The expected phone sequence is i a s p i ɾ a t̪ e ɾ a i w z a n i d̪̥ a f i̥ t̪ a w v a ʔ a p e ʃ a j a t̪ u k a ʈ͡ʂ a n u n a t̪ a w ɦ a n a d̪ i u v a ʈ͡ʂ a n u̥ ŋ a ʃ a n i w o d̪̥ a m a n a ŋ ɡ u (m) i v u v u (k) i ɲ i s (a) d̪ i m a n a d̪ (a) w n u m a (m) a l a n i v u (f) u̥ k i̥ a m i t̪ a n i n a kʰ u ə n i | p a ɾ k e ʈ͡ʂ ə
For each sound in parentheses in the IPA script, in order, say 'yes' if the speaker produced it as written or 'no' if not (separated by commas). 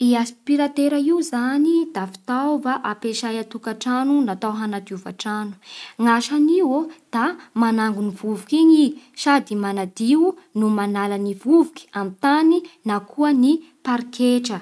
no, yes, yes, no, no, no